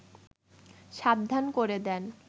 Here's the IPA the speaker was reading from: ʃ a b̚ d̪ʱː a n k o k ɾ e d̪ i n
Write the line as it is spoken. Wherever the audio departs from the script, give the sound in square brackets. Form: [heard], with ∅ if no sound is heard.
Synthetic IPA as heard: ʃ a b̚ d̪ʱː a n k o [∅] ɾ e d̪ [ɛ] n